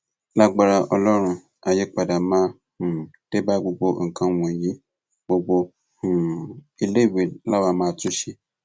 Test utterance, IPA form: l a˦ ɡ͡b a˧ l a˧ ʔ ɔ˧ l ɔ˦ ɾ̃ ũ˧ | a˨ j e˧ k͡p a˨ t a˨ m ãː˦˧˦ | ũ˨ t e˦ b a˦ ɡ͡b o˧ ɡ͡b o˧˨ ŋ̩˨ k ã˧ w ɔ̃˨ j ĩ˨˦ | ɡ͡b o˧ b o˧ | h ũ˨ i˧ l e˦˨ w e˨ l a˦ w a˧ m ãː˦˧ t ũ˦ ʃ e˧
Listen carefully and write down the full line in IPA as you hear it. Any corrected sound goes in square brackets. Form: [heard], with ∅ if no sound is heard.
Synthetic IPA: l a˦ ɡ͡b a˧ [ɾ] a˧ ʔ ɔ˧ l ɔ˦ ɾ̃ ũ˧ | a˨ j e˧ k͡p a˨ [d] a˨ m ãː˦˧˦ | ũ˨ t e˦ b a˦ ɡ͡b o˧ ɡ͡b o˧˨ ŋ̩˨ k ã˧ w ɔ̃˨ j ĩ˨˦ | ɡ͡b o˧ [ɡ͡b] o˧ | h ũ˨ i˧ l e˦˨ w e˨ l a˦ w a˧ m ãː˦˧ t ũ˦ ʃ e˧